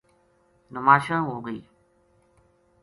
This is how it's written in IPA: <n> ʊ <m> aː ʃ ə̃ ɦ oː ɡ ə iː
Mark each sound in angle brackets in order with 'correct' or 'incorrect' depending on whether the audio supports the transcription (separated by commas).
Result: correct, correct